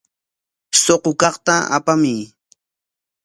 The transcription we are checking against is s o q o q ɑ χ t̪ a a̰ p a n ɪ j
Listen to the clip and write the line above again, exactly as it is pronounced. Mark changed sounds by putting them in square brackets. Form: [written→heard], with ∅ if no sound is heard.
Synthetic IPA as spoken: s o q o [q→k] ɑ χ t̪ a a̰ p a [n→m] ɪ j